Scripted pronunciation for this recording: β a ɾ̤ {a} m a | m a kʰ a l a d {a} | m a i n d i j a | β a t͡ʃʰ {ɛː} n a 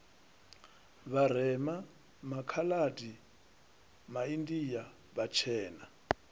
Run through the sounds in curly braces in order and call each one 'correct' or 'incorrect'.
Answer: incorrect, incorrect, correct

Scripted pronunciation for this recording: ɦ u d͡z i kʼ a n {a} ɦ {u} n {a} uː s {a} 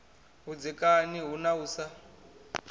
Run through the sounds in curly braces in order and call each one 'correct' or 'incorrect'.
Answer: incorrect, correct, correct, correct

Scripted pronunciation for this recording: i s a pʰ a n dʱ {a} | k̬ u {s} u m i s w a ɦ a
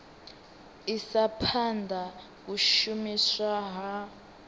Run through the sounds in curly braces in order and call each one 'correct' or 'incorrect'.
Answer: correct, incorrect

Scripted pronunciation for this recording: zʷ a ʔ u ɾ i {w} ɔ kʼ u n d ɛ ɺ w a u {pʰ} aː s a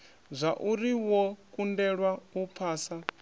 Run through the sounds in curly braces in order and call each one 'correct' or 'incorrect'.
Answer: correct, correct

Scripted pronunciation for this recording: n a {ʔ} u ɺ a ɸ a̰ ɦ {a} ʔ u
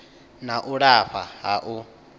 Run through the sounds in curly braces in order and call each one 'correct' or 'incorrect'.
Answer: correct, correct

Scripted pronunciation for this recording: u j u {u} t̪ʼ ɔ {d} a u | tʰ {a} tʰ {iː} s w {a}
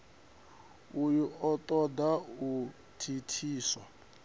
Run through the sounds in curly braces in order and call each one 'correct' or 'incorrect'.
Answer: incorrect, correct, incorrect, correct, correct

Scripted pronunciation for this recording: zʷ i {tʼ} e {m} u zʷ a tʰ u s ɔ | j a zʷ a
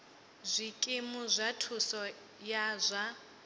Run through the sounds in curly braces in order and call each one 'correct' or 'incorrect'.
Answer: incorrect, correct

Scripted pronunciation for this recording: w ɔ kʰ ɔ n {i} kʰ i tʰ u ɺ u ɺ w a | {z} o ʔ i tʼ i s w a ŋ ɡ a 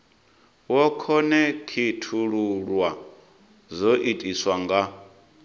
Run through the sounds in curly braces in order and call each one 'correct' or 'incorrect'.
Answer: incorrect, correct

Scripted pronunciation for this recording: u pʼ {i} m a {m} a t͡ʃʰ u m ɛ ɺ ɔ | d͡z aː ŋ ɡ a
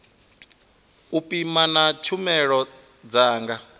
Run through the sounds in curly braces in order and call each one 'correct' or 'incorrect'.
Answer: correct, incorrect

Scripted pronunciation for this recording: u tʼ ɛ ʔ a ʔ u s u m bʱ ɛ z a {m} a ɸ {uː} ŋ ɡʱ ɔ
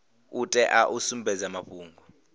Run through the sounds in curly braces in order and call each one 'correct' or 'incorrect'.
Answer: correct, correct

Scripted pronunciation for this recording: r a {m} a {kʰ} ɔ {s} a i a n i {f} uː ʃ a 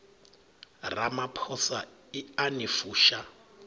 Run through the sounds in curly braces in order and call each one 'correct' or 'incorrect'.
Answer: correct, incorrect, correct, correct

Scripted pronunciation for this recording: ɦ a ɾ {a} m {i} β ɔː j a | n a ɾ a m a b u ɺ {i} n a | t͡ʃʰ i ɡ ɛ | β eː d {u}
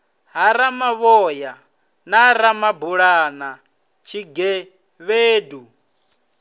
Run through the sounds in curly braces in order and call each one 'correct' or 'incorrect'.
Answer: correct, incorrect, incorrect, correct

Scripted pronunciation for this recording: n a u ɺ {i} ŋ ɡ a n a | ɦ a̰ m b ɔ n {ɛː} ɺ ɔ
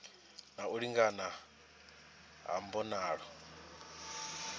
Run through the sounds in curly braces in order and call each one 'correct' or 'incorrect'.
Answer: correct, incorrect

